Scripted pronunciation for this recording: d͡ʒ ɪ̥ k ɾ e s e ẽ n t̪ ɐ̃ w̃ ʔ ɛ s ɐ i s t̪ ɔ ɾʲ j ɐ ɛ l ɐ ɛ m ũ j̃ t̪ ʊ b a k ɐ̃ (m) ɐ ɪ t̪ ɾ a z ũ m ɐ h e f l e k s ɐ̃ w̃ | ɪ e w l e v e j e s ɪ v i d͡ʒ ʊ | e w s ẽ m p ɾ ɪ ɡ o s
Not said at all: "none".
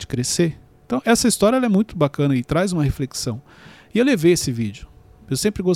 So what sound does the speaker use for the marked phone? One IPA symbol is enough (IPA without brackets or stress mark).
n